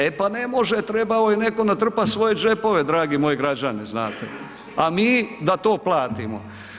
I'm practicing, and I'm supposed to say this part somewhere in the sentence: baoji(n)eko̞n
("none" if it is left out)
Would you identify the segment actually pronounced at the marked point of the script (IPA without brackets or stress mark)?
n